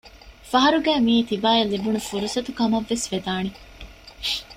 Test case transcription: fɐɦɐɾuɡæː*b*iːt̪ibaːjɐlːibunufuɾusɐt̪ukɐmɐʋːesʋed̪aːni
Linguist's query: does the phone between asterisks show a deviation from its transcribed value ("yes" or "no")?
yes